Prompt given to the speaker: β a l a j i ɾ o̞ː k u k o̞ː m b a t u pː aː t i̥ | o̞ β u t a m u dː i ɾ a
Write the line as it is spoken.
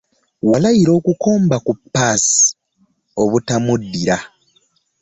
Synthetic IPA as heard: w a l a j i ɾ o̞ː k u k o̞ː m b a k u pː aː s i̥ | o̞ β u t a m u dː i ɾ a